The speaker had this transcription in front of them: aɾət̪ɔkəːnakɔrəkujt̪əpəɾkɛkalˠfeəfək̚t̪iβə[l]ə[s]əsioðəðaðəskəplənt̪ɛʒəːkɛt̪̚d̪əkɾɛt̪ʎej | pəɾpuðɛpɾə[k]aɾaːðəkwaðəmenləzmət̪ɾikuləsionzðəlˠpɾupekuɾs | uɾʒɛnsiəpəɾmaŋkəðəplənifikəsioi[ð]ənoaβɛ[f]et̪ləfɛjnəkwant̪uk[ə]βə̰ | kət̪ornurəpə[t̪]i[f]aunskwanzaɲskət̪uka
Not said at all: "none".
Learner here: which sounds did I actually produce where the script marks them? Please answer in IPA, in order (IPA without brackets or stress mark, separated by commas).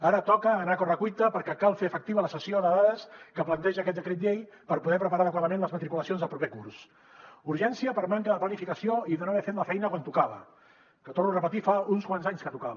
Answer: l, s, p, ð, f, a, t̪, f